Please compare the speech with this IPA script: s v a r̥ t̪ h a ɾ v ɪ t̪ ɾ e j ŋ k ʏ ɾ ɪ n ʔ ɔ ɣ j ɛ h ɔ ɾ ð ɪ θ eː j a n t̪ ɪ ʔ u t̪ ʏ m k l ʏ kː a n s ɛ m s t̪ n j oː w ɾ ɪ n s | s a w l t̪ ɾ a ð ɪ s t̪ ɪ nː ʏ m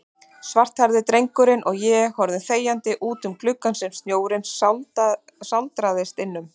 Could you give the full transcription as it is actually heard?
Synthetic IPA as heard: s v a r̥ t̪ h a ɾ ð ɪ t̪ ɾ e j ŋ k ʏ ɾ ɪ n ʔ ɔ ɣ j ɛ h ɔ ɾ ð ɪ θ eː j a n t̪ ɪ ʔ uː t̪ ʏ m k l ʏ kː a n s ɛ m s t̪ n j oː w ɾ ɪ n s | s a w l t̪ ɾ a ð ɪ s t̪ ɪ nː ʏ m